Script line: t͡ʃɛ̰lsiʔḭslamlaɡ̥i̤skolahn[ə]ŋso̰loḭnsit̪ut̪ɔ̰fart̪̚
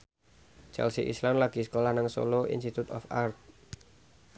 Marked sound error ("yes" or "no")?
yes